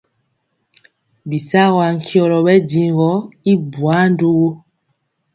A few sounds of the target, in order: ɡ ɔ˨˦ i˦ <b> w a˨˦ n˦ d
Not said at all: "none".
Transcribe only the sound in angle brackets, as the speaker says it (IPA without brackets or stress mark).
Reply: b